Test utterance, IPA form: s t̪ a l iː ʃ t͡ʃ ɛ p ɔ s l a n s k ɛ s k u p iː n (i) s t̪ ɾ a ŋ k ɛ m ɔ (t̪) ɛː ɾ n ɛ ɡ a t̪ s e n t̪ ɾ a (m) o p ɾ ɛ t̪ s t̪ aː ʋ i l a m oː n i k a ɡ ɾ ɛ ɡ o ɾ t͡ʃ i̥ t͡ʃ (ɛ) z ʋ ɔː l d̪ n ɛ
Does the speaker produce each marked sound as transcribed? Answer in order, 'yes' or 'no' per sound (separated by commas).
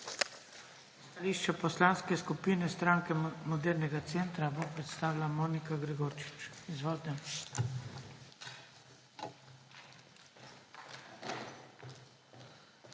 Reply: no, no, no, no